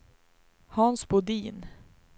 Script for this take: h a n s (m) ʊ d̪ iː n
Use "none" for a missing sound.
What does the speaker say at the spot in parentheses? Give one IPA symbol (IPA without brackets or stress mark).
b